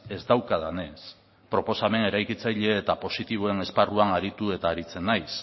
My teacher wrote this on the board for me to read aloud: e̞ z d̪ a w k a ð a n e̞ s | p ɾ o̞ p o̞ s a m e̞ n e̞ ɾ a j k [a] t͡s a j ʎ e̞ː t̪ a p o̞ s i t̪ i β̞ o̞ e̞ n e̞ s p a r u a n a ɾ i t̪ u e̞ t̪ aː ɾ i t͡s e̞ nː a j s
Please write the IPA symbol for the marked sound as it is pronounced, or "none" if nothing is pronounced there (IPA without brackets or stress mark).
i